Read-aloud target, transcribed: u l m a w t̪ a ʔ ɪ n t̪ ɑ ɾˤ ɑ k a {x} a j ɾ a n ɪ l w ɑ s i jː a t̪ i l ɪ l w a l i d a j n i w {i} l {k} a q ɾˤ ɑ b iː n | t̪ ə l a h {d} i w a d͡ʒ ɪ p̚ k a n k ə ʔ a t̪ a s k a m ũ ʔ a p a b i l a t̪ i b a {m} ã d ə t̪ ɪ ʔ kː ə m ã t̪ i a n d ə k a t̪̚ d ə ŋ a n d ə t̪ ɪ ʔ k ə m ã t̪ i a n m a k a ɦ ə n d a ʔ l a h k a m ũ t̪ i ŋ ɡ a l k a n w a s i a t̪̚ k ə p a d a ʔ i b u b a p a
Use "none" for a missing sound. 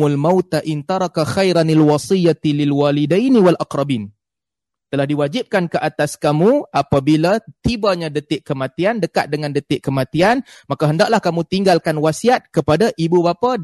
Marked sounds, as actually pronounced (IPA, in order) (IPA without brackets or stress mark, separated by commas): x, a, ʔ, d, ɲ